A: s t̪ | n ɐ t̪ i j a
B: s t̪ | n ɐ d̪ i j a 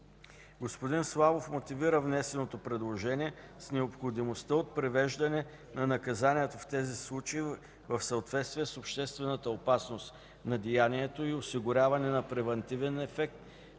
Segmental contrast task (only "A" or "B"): B